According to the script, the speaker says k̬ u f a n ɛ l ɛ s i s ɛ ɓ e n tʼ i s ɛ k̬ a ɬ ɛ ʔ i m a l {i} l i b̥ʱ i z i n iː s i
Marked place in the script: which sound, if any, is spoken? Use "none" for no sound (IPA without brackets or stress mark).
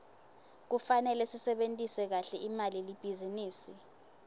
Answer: i